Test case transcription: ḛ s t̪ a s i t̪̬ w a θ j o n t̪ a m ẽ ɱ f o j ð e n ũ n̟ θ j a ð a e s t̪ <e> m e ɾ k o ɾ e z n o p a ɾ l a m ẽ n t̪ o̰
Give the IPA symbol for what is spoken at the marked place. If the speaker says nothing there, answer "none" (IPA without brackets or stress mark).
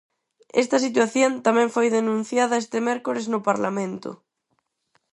e